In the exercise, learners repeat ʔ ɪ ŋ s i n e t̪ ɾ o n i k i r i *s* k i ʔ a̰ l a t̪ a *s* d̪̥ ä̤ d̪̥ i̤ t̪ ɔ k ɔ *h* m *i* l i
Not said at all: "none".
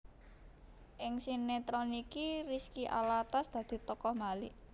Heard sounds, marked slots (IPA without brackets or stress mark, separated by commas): s, s, h, a